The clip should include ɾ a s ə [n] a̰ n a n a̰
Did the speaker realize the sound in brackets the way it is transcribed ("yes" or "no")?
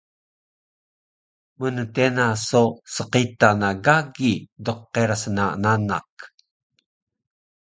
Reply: yes